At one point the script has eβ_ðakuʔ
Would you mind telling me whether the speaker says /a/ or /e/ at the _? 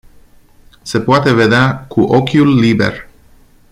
e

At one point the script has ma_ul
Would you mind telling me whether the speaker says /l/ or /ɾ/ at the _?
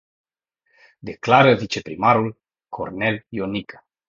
ɾ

